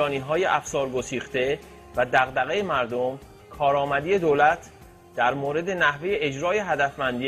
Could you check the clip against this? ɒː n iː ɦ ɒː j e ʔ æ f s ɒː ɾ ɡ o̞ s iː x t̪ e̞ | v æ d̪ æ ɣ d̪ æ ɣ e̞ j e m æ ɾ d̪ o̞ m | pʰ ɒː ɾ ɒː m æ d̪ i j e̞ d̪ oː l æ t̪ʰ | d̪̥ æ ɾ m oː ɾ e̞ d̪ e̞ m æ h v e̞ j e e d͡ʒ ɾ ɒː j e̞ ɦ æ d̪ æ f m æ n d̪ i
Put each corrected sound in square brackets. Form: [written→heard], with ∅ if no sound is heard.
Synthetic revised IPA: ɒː n iː ɦ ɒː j e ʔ æ f s ɒː ɾ ɡ o̞ s iː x t̪ e̞ | v æ d̪ æ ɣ d̪ æ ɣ e̞ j e m æ ɾ d̪ o̞ m | [pʰ→kʰ] ɒː ɾ ɒː m æ d̪ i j e̞ d̪ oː l æ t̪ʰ | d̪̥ æ ɾ m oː ɾ e̞ d̪ e̞ [m→n] æ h v e̞ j e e d͡ʒ ɾ ɒː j e̞ ɦ æ d̪ æ f m æ n d̪ i